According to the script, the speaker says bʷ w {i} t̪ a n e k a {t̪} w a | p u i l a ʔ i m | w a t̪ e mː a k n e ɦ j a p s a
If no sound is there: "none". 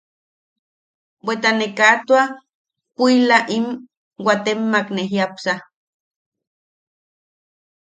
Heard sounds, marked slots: e, t̪

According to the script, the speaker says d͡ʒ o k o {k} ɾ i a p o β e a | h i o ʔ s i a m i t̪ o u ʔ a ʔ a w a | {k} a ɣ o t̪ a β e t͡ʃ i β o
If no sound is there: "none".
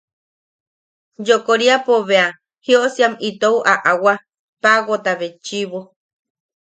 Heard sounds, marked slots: none, p

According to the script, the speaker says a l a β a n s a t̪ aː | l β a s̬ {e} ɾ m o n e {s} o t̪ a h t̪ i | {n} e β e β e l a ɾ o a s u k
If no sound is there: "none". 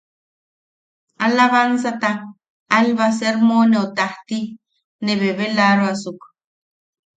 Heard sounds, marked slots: e, none, n

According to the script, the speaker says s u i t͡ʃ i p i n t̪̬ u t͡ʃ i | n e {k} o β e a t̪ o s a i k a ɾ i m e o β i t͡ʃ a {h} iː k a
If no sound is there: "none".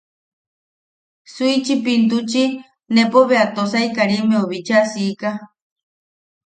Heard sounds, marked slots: p, s

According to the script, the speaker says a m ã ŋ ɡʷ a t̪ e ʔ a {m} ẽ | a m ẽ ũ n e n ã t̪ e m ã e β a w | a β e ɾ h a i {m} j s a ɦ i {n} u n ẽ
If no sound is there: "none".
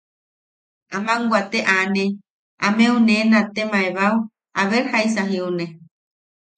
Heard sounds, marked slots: n, none, none

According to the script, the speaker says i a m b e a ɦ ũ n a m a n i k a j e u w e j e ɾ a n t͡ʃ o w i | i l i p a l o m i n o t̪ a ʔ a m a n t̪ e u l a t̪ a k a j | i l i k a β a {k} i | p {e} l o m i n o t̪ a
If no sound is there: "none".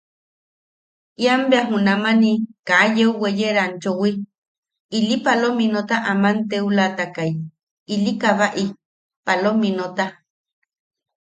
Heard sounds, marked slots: ʔ, a

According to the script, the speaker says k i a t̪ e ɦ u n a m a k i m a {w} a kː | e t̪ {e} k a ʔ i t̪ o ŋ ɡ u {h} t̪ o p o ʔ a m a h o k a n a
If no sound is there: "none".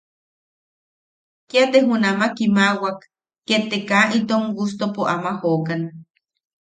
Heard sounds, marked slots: w, e, s

